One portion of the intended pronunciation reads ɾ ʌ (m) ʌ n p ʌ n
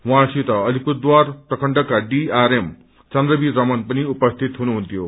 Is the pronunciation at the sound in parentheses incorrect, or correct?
correct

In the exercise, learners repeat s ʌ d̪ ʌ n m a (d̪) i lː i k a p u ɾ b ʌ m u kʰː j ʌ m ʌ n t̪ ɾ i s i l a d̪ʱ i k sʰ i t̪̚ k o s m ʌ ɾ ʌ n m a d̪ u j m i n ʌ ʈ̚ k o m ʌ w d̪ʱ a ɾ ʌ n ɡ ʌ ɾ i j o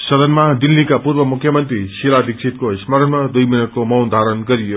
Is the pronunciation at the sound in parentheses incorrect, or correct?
correct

